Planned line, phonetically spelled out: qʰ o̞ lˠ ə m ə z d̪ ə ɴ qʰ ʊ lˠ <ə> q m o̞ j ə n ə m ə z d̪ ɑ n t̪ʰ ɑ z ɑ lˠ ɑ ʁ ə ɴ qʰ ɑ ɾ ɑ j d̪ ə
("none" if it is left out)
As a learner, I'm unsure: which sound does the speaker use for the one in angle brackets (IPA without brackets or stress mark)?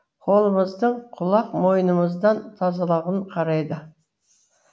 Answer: ɑ